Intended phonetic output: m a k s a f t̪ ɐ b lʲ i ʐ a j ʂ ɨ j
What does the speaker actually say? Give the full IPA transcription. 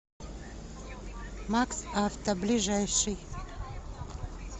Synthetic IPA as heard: m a k s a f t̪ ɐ b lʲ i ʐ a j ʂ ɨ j